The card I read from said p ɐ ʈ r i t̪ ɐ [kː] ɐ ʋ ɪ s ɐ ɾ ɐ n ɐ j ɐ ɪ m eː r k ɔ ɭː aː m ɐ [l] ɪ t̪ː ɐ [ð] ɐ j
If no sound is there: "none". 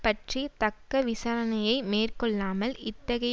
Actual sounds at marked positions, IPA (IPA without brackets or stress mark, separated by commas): kː, l, ɣ